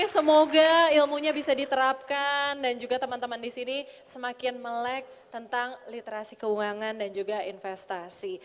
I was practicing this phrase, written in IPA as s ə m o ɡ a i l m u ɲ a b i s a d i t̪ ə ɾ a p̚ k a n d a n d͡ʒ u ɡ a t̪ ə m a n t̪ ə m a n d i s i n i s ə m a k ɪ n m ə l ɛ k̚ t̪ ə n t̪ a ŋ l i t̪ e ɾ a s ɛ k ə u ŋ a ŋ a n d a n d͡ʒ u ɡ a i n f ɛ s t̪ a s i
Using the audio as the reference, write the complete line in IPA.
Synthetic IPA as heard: s ə m o ɡ a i l m u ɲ a b i s a d i t̪ ə ɾ a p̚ k a n d a n d͡ʒ u ɡ a t̪ ə m a n t̪ ə m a n d i s i n i s ə m a k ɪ n m ə l ɛ k̚ t̪ ə n t̪ a ŋ l i t̪ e ɾ a s i k ə u ŋ a ŋ a n d a n d͡ʒ u ɡ a i n f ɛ s t̪ a s i